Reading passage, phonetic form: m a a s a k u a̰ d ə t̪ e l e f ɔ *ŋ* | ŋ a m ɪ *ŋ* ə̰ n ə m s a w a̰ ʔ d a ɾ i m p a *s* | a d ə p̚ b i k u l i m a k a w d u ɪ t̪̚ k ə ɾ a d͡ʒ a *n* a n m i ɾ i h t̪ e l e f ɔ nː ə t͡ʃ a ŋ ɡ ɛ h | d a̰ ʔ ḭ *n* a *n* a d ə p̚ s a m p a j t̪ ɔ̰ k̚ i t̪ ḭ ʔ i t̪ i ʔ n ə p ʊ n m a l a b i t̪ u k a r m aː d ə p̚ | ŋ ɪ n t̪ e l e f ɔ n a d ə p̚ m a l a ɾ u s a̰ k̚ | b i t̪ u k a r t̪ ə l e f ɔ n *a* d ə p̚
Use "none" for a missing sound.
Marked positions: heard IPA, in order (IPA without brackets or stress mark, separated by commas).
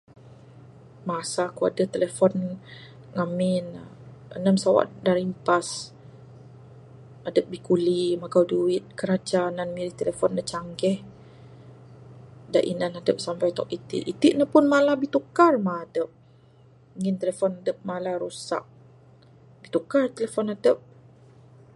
n, n, s, n, n, n, a